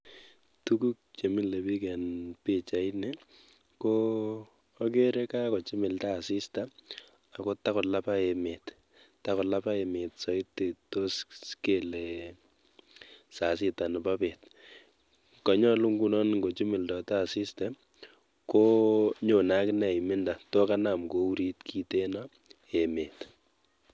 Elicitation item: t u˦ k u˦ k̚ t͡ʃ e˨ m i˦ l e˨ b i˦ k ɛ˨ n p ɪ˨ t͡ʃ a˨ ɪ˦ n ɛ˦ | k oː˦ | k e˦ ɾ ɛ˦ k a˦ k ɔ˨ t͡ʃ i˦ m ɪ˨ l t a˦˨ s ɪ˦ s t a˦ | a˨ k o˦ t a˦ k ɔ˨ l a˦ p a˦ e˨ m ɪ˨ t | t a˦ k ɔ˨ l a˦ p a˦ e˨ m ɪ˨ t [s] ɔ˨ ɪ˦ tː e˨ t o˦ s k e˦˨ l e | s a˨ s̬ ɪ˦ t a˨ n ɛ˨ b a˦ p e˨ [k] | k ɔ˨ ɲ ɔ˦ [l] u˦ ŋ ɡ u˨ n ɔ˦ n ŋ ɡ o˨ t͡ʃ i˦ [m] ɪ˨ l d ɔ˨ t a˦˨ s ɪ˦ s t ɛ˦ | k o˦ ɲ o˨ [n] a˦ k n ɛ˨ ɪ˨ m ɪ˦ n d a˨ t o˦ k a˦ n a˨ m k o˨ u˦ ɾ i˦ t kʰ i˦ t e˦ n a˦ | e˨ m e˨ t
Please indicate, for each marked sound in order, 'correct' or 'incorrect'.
correct, incorrect: t, correct, correct, correct

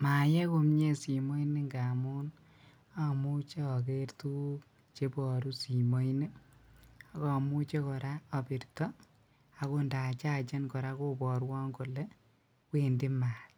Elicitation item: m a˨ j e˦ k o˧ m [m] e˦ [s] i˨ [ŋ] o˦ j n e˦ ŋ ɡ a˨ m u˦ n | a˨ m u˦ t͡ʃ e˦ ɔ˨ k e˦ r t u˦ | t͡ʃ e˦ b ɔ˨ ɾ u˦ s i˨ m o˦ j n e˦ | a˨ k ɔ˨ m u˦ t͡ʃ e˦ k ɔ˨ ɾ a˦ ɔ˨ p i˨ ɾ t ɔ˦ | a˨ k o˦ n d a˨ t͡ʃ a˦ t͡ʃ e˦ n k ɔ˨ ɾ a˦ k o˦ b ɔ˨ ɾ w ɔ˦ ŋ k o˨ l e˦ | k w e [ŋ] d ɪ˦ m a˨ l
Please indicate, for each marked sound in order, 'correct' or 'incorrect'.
incorrect: ɲ, correct, incorrect: m, incorrect: n

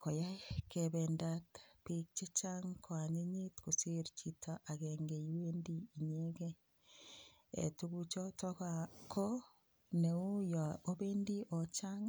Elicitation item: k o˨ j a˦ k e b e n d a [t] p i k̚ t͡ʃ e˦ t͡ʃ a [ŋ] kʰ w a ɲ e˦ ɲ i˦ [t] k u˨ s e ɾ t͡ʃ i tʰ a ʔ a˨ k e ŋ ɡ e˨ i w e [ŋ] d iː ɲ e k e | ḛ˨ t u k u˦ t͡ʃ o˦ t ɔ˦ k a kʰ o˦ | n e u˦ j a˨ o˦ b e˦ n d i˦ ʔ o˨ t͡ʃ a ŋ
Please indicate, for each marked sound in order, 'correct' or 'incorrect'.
correct, correct, correct, incorrect: n

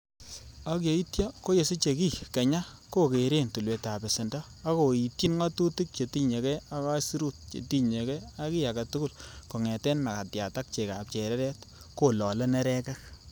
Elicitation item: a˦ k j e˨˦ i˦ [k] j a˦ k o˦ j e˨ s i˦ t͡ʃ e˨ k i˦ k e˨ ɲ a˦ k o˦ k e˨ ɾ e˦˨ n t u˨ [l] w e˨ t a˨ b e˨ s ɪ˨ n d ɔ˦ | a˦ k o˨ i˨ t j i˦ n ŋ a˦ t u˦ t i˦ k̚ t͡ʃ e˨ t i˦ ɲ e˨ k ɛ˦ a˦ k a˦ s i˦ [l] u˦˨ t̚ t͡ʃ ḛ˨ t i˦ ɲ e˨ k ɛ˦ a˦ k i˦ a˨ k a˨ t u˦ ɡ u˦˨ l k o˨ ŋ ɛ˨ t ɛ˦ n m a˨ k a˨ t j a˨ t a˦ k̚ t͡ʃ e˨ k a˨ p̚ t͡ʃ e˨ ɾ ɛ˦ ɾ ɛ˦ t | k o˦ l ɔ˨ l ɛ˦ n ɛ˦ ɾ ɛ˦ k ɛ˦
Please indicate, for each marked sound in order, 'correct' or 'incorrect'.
incorrect: t, correct, incorrect: ɾ

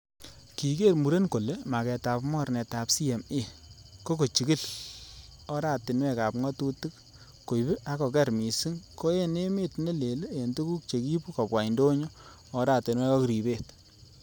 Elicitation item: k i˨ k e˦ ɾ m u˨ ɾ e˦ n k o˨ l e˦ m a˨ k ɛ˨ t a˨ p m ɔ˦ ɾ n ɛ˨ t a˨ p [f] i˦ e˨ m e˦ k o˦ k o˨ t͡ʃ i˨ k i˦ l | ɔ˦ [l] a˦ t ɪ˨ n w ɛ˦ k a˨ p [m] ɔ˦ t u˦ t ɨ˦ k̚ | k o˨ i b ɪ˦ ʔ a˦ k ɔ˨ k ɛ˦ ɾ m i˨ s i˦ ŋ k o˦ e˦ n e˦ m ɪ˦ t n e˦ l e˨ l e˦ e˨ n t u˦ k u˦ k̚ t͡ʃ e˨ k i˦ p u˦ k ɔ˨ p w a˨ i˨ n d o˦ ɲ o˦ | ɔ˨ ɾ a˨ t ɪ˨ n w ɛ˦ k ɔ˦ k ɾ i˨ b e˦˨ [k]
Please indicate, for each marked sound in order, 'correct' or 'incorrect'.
incorrect: s, incorrect: ɾ, incorrect: ŋ, incorrect: t

